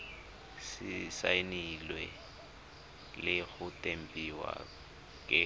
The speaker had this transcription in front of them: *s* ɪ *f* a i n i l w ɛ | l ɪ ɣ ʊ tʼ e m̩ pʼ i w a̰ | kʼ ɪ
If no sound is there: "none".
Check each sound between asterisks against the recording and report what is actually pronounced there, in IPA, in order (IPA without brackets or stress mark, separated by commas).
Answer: s, s